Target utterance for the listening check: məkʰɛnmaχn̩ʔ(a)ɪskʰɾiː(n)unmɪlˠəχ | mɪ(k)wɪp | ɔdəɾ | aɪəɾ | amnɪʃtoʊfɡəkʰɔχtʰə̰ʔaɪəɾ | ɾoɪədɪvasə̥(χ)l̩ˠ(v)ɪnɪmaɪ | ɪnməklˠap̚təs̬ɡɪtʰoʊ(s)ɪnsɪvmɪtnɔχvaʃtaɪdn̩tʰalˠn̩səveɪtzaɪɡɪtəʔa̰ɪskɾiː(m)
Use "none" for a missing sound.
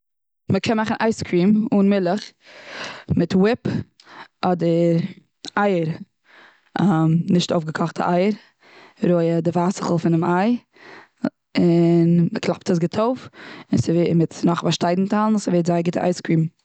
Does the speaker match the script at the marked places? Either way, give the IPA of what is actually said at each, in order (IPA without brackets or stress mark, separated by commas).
a, m, t, χ, f, f, m